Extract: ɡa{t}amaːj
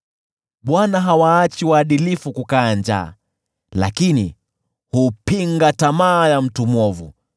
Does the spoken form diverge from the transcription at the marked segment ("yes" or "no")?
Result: no